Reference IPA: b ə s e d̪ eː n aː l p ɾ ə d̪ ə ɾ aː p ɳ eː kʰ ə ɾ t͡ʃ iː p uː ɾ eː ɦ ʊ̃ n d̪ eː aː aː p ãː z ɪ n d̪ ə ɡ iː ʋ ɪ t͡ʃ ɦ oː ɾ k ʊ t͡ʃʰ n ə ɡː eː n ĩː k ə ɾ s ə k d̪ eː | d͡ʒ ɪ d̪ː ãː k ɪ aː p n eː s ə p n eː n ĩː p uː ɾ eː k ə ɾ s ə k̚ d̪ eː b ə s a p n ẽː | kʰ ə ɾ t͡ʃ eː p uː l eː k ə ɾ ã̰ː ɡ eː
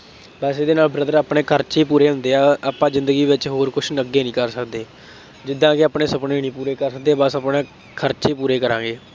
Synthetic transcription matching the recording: b ə s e d̪ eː n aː l b ɾ ə d̪ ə ɾ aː p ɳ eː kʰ ə ɾ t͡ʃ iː p uː ɾ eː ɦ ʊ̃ n d̪ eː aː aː p ãː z ɪ n d̪ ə ɡ iː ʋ ɪ t͡ʃ ɦ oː ɾ k ʊ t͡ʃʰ n ə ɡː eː n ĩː k ə ɾ s ə k d̪ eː | d͡ʒ ɪ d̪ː ãː k ɪ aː p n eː s ə p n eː n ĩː p uː ɾ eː k ə ɾ s ə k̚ d̪ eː b ə s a p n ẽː | kʰ ə ɾ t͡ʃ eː p uː ɾ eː k ə ɾ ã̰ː ɡ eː